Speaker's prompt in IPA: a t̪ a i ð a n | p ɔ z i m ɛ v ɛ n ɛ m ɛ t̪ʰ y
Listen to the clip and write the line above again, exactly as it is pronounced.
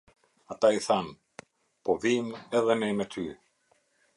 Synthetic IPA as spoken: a t̪ a i θ a n | p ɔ ð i m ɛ ð ɛ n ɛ m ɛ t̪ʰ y